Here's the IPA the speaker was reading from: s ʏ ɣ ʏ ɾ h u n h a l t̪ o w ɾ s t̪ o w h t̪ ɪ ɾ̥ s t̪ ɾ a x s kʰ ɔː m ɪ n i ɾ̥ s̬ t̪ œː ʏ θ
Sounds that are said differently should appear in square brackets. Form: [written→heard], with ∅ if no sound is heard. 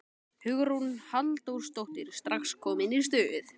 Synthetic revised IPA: [s→h] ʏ ɣ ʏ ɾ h u n h a l t̪ o w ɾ s t̪ o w h t̪ ɪ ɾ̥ s t̪ ɾ a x s kʰ ɔː m ɪ n i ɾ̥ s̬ t̪ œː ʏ θ